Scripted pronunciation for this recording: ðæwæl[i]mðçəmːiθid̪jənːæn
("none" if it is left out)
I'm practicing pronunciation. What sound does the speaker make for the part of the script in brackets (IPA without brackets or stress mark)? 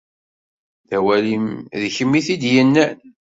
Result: i